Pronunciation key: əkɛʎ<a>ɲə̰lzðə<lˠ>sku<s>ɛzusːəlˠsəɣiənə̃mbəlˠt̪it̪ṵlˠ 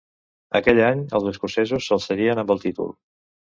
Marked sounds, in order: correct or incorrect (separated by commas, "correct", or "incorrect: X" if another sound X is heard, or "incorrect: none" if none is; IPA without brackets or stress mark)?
correct, incorrect: none, correct